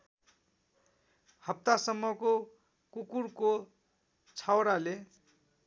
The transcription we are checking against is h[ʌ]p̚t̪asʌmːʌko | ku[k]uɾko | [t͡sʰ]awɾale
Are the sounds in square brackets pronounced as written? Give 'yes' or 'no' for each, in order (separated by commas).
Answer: yes, yes, yes